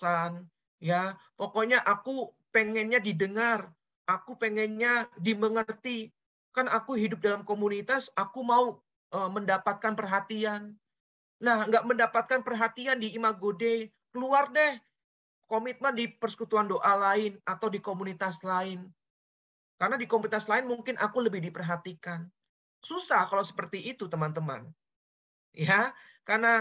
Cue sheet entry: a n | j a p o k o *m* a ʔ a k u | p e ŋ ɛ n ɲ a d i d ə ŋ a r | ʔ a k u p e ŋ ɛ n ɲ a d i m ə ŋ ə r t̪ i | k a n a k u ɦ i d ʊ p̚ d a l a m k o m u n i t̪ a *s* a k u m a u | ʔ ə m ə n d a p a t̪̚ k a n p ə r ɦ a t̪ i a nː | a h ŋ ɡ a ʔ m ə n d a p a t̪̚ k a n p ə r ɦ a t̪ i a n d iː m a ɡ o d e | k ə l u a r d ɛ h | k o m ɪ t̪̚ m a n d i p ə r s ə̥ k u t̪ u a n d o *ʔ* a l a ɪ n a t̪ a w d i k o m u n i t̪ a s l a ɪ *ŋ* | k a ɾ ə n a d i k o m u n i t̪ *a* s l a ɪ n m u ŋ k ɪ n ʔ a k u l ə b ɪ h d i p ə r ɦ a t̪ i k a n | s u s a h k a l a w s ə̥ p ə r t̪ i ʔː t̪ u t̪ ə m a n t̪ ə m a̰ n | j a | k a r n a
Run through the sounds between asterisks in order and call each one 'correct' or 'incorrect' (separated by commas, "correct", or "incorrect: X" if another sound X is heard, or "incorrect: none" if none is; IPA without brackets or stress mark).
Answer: incorrect: ɲ, correct, correct, incorrect: n, correct